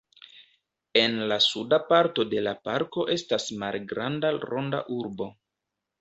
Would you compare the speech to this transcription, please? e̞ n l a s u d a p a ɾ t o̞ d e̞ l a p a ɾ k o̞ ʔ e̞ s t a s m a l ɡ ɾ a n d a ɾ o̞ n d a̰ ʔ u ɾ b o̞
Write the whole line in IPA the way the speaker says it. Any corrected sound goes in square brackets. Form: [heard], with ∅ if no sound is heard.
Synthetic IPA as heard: e̞ n l a s u d a p a ɾ t o̞ d e̞ l a p a ɾ k o̞ ʔ e̞ s t a s m a l ɡ ɾ a n d a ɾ o̞ n d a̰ ʔ u ɾ b o̞